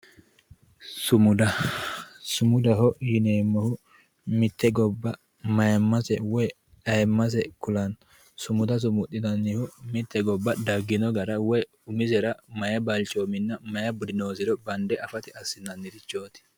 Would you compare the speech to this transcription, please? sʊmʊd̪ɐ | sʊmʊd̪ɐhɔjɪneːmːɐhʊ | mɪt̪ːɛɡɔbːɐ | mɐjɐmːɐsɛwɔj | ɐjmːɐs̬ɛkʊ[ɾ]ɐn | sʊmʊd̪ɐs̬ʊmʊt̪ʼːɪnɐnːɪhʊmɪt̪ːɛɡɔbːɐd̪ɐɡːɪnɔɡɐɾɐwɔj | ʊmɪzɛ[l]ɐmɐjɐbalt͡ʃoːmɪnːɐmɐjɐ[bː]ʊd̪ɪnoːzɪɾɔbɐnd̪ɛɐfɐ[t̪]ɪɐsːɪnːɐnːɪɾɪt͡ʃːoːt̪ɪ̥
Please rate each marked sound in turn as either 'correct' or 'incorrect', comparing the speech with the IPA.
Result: incorrect, incorrect, incorrect, correct

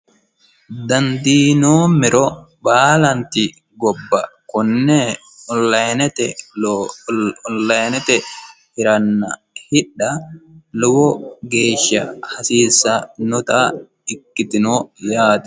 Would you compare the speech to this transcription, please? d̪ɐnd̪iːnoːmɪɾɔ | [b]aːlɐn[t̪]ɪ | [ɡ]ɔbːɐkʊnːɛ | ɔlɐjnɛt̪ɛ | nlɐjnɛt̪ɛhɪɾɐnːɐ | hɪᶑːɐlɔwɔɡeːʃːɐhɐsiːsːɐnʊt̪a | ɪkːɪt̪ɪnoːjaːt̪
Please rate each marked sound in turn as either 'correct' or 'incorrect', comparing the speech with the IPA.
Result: correct, correct, correct

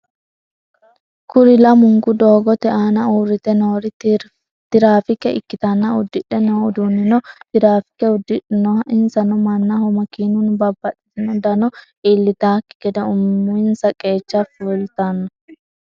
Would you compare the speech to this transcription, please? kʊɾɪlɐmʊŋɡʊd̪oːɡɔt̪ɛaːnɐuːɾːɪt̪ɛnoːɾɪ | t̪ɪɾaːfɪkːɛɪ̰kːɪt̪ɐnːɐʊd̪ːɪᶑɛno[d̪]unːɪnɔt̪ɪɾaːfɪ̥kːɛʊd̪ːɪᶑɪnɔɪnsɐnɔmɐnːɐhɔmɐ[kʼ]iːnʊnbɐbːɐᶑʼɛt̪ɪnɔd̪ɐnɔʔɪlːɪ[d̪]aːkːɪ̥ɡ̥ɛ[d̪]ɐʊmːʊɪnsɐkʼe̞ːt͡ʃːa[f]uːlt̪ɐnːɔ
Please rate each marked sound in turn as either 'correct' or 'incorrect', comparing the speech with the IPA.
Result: correct, incorrect, incorrect, correct, correct

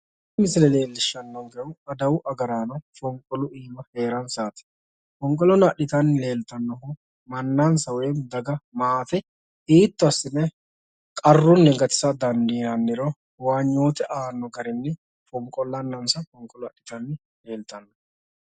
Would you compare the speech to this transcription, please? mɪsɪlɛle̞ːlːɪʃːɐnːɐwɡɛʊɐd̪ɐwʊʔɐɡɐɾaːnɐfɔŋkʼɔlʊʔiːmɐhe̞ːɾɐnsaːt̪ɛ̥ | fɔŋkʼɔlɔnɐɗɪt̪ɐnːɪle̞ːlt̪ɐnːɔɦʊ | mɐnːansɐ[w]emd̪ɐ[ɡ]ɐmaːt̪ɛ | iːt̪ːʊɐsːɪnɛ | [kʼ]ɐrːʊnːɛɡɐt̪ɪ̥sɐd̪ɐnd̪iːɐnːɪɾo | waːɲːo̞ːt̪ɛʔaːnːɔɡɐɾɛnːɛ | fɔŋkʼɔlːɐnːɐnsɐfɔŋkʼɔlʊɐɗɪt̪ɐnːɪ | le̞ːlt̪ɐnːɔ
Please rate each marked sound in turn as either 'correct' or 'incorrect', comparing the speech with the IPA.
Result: correct, correct, correct

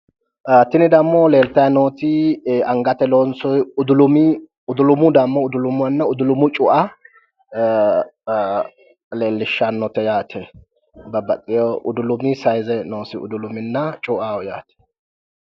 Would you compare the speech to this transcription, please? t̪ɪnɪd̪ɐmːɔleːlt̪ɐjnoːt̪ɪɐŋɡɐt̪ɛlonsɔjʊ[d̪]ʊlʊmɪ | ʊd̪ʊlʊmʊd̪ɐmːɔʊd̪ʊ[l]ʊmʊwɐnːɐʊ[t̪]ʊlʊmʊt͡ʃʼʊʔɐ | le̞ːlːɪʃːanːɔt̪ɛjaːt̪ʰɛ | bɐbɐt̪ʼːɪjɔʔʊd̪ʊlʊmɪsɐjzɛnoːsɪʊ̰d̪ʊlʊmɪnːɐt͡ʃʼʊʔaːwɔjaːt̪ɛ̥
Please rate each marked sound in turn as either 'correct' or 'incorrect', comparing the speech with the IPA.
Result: correct, correct, incorrect

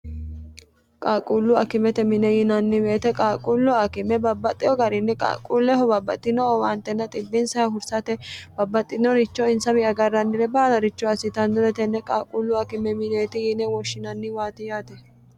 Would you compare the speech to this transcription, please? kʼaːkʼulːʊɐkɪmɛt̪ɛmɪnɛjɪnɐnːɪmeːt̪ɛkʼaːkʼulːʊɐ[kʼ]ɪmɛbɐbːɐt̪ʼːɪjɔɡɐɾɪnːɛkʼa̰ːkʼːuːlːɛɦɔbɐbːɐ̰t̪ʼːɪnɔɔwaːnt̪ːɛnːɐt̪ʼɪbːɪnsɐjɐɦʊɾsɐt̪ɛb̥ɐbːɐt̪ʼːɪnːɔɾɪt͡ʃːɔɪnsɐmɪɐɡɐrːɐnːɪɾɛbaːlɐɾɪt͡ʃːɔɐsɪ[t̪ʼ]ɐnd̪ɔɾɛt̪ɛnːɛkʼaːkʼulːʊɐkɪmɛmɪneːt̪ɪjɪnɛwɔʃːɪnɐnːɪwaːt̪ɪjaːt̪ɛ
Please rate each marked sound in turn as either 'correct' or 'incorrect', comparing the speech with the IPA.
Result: incorrect, incorrect

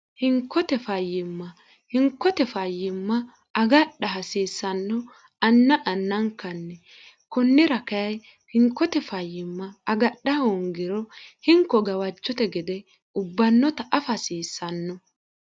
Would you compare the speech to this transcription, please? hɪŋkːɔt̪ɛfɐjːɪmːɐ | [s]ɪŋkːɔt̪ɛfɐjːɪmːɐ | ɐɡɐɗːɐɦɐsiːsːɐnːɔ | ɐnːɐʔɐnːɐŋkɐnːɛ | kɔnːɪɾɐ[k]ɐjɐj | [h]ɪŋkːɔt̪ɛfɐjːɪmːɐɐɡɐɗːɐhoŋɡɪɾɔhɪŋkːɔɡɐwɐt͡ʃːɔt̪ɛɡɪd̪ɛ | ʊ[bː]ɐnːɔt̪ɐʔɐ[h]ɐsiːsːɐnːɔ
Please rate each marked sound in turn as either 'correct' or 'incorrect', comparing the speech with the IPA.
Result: incorrect, correct, correct, correct, incorrect

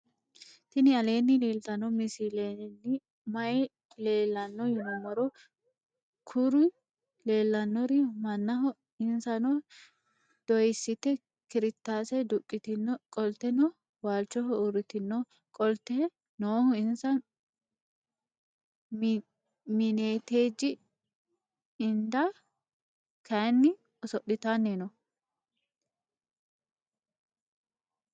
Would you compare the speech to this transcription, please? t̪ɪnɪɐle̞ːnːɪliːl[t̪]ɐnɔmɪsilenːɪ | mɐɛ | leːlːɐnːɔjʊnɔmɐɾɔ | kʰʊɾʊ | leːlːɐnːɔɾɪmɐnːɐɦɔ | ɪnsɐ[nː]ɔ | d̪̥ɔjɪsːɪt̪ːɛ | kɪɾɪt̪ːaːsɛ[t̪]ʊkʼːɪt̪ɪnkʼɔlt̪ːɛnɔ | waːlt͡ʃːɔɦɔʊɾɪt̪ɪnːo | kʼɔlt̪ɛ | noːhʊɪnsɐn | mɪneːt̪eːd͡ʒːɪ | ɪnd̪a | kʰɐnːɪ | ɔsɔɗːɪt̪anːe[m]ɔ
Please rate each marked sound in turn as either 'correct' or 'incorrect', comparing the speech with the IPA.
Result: correct, incorrect, incorrect, incorrect

